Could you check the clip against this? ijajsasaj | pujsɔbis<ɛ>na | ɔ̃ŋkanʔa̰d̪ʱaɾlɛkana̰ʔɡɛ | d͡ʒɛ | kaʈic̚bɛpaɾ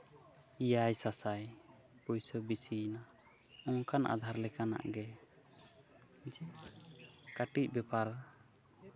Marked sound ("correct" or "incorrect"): incorrect